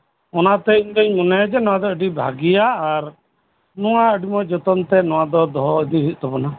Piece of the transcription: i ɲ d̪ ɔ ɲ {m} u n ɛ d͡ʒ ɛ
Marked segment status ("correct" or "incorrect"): correct